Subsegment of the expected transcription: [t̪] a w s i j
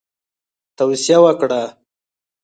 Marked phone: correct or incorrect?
correct